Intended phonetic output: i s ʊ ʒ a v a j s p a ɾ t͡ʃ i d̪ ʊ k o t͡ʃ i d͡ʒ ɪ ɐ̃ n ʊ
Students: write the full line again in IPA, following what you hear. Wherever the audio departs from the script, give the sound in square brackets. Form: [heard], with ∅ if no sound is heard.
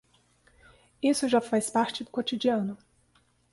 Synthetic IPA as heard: i s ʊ ʒ a [f] a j s p a ɾ t͡ʃ [ɪ] d̪ ʊ k o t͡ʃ i d͡ʒ [i] ɐ̃ n ʊ